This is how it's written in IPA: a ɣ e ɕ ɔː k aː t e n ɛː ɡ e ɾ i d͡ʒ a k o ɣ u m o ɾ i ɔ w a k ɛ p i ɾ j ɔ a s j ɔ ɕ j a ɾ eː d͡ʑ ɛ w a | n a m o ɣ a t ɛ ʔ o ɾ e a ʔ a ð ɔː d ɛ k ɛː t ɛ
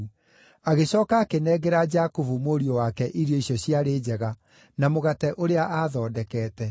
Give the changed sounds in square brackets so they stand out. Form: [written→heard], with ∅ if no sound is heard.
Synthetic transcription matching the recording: a ɣ e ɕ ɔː k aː [t→k] e n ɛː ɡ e ɾ [i→a] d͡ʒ a k o [ɣ→v] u m o ɾ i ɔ w a k ɛ [p→ʔ] i ɾ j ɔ [a→i] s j ɔ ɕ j a ɾ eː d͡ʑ ɛ [w→ɣ] a | n a m o ɣ a t ɛ ʔ o ɾ e a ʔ a ð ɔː d ɛ k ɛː t ɛ